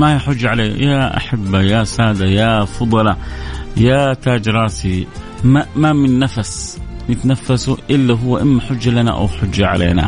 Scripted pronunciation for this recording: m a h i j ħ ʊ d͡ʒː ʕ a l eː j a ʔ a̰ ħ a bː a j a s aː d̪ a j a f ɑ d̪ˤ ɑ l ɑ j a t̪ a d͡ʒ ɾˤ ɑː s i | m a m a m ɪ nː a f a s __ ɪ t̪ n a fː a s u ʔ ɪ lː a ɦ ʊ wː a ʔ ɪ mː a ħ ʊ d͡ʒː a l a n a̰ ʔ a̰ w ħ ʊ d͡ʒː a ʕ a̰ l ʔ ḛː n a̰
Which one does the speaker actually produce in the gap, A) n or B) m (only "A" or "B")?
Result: A